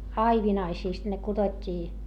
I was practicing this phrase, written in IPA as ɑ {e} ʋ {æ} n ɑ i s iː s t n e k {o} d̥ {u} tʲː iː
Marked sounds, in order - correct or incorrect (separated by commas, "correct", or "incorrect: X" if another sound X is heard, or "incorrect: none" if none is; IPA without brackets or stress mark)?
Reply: incorrect: i, incorrect: i, incorrect: u, incorrect: o